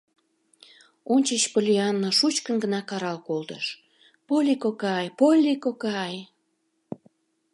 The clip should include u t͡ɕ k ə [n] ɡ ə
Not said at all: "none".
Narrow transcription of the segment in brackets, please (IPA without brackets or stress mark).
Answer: n